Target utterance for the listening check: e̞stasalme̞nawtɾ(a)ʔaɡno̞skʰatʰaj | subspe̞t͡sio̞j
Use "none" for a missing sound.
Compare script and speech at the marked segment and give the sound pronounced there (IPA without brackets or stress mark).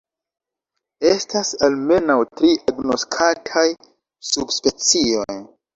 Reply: i